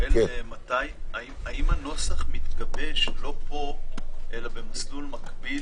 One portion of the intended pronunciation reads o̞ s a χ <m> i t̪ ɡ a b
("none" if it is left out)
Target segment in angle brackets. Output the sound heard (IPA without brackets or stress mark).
m